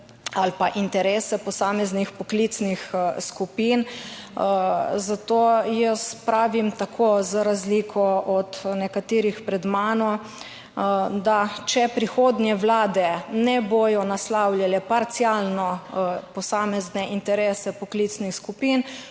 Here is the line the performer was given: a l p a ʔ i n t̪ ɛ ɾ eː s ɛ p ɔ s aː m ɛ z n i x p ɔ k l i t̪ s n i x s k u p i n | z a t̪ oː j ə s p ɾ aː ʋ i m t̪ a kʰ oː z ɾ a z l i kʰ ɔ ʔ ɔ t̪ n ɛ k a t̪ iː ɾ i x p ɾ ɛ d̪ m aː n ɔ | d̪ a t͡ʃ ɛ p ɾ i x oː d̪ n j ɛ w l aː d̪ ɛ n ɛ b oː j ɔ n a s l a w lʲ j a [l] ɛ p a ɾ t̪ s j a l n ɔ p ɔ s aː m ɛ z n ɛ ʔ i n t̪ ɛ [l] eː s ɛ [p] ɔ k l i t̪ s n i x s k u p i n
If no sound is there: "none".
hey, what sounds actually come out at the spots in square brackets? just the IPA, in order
l, ɾ, p

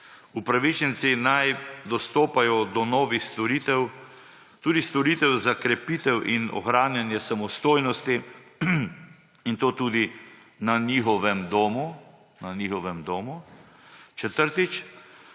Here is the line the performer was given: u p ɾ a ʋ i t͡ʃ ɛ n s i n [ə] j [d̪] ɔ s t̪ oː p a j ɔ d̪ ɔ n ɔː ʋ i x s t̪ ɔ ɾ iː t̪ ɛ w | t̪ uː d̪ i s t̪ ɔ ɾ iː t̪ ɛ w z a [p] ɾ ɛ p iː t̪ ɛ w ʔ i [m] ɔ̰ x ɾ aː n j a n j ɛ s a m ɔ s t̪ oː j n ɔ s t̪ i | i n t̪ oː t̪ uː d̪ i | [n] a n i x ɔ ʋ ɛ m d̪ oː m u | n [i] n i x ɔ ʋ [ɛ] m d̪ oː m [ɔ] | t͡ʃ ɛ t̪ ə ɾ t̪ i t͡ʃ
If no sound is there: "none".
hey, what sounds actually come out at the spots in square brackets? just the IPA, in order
a, d̪, k, n, n, a, ɛ, u

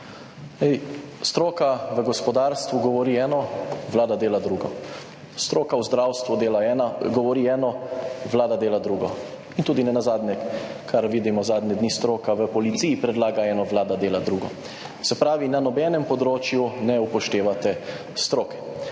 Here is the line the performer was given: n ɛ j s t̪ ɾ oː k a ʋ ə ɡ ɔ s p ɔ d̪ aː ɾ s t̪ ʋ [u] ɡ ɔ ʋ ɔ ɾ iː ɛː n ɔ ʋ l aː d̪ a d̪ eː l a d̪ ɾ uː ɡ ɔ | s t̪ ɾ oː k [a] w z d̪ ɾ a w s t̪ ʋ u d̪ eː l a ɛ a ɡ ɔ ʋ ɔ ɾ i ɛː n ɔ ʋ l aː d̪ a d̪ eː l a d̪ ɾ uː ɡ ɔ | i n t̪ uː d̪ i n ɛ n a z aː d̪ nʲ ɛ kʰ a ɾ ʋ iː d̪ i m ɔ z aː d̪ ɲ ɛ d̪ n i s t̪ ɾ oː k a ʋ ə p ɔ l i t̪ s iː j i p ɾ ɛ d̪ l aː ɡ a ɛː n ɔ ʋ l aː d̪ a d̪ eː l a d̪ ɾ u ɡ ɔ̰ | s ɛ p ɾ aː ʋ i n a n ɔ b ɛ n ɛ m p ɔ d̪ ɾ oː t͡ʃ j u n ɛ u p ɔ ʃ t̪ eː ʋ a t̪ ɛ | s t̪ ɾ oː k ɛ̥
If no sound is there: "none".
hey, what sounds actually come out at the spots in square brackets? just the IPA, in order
u, a

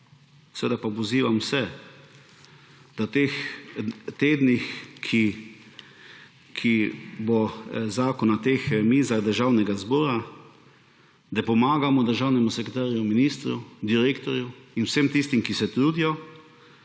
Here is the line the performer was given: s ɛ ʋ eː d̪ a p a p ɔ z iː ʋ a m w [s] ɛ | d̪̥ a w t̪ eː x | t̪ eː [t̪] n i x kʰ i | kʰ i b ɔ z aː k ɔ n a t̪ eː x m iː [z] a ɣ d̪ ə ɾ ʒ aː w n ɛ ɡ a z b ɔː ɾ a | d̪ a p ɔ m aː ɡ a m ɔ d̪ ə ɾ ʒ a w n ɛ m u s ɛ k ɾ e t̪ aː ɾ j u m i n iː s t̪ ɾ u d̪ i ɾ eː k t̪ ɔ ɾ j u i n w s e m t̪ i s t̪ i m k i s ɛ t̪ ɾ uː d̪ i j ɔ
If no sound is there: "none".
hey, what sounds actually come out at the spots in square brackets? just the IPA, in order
s, d̪, z

